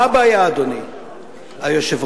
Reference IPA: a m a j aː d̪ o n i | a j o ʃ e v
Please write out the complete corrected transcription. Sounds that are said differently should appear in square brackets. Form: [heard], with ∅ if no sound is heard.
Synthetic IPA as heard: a [b] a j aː d̪ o n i | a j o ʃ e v